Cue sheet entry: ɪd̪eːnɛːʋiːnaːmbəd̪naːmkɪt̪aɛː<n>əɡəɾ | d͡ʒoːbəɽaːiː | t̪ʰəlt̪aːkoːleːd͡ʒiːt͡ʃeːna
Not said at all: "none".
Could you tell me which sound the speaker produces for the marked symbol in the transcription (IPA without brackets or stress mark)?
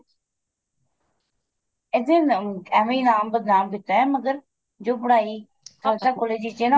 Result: m